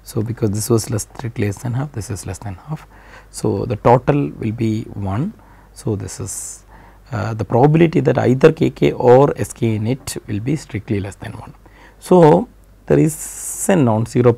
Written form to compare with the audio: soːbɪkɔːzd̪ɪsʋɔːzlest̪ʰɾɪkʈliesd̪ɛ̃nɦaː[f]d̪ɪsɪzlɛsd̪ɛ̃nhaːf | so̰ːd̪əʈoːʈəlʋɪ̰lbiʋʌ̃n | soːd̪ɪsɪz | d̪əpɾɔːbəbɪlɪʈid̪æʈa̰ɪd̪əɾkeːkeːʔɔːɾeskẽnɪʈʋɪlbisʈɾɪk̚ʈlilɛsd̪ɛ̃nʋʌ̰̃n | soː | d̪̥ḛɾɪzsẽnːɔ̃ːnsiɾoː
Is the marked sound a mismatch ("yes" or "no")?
no